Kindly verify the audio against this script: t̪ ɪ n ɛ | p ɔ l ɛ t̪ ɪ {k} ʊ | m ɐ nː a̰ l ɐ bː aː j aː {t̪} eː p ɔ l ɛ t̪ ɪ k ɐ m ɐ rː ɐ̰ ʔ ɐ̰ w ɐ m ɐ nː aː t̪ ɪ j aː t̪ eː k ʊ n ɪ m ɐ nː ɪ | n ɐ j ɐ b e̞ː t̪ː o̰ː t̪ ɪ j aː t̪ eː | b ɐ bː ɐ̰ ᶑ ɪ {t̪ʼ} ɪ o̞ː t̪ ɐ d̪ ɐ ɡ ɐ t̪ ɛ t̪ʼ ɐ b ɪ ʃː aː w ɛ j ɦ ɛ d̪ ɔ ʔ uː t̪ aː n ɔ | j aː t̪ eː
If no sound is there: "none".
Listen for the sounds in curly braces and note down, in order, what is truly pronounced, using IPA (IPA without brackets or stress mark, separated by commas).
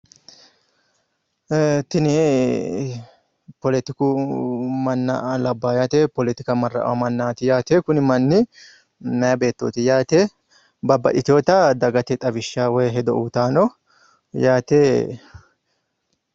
k, t̪, t̪